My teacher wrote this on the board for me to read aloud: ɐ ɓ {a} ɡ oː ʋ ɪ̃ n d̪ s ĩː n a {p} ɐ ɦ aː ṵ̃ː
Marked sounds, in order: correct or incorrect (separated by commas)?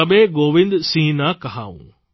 incorrect, incorrect